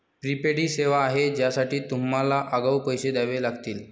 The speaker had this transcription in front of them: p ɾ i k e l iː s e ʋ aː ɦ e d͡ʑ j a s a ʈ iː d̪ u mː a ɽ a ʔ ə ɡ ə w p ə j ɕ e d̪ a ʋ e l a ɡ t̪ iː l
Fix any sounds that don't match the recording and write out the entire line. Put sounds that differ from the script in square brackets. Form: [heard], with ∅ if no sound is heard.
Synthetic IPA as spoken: p ɾ i [p] e [ɽ] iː s e ʋ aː ɦ e d͡ʑ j a s a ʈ iː [t̪] u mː a [l] a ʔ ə ɡ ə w p ə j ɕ e d̪ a ʋ e l a ɡ t̪ iː l